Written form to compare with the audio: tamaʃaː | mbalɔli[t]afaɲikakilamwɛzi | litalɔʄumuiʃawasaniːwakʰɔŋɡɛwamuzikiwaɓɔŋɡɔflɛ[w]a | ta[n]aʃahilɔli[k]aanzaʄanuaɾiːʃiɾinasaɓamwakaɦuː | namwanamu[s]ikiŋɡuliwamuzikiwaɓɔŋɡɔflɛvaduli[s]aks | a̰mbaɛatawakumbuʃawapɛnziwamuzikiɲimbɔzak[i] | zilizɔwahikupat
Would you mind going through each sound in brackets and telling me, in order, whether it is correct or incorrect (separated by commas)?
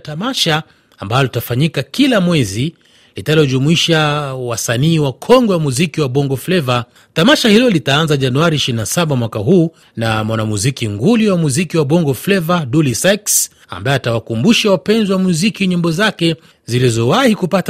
correct, incorrect, incorrect, incorrect, incorrect, correct, incorrect